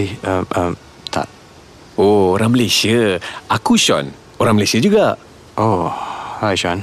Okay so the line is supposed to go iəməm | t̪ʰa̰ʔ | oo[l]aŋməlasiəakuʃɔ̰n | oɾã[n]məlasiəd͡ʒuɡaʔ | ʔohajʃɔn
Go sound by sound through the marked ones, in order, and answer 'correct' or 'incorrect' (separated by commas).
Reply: incorrect, incorrect